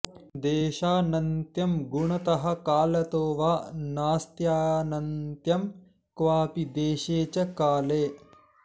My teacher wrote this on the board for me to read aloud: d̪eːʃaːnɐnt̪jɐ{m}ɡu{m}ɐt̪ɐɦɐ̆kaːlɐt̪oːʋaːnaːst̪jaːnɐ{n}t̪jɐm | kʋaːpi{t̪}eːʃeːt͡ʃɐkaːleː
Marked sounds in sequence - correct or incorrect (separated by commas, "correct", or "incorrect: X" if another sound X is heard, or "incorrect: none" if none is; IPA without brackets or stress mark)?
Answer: correct, incorrect: ɳ, correct, incorrect: d̪